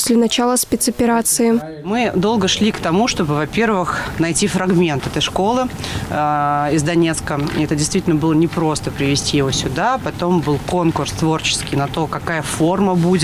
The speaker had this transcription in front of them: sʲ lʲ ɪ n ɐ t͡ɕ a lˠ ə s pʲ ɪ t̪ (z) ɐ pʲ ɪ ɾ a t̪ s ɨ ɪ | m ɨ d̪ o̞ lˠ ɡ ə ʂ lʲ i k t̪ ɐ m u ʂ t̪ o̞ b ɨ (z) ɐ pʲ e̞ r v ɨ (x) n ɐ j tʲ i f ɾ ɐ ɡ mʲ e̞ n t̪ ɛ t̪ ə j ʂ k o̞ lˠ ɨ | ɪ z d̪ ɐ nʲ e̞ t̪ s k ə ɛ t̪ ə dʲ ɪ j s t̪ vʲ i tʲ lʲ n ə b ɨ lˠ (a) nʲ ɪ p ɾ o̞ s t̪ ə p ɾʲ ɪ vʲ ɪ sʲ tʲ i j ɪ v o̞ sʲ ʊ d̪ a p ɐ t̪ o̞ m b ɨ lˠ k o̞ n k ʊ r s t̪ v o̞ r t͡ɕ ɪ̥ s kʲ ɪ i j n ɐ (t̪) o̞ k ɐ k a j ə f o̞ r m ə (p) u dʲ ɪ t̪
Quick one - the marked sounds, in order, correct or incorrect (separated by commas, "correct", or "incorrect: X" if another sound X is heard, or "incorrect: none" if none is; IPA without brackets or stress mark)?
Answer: incorrect: s, incorrect: v, correct, incorrect: ə, correct, incorrect: b